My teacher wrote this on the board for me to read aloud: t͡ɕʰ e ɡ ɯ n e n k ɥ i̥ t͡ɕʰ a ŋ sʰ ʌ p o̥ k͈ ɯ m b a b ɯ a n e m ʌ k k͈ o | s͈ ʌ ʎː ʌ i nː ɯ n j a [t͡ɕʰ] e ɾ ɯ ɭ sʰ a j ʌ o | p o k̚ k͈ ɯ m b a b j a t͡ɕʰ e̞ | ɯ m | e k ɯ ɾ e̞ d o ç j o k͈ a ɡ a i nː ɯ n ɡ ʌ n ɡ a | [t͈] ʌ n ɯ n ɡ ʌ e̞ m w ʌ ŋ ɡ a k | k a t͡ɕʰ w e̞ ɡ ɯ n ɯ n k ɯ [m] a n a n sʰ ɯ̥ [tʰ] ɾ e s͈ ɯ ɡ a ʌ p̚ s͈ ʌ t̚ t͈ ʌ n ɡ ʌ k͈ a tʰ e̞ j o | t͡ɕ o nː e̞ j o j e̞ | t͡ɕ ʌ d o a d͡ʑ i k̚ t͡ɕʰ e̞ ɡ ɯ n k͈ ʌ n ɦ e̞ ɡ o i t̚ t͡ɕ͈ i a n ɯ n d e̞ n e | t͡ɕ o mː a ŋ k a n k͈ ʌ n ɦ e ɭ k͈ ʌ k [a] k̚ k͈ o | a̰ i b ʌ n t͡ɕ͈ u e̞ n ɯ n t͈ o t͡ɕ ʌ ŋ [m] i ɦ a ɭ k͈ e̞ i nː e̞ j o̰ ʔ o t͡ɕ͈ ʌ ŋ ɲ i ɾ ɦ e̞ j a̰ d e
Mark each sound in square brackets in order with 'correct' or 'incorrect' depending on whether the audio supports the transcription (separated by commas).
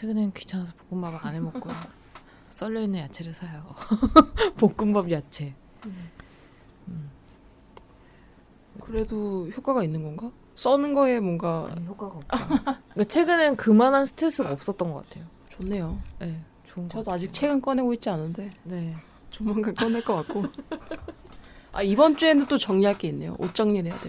correct, incorrect, correct, correct, correct, incorrect